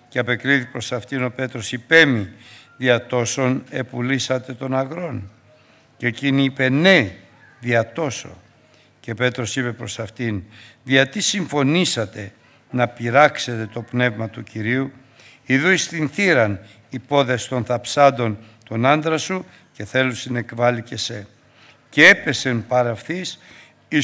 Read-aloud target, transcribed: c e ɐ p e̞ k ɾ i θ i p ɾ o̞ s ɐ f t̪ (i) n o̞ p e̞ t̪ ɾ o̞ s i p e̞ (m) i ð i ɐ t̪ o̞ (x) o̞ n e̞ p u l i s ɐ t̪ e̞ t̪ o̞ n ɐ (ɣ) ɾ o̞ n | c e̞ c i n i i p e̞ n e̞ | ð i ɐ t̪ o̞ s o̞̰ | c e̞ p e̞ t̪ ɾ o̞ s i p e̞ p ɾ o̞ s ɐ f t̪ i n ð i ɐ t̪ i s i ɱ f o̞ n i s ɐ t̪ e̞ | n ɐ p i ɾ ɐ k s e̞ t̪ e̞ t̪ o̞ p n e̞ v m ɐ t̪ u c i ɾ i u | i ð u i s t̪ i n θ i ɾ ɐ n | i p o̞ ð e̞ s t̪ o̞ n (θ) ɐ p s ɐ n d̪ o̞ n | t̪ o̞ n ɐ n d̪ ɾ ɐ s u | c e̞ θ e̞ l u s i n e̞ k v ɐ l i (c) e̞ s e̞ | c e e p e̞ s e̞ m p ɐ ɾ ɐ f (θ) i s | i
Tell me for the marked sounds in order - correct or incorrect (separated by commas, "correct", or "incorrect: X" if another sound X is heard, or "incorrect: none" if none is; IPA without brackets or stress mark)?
correct, correct, incorrect: s, correct, correct, correct, correct